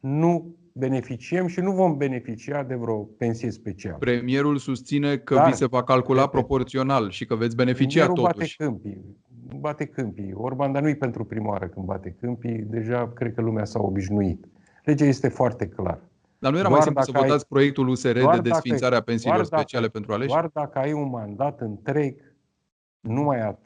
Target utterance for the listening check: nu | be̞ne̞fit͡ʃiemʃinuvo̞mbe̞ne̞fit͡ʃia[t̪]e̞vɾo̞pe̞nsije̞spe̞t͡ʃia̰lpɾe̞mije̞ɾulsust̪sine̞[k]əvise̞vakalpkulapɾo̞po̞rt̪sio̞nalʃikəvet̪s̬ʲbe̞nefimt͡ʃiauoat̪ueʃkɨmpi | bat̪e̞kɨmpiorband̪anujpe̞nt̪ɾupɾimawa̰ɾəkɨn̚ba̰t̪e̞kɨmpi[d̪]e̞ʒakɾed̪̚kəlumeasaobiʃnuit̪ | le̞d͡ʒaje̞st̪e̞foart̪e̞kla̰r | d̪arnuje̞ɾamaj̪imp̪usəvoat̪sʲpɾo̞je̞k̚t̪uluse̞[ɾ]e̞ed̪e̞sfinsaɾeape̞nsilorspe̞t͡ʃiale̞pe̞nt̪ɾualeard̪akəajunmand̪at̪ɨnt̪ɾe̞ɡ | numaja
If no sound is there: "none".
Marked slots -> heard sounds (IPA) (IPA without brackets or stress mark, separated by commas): d̪, k, d̪, ɾ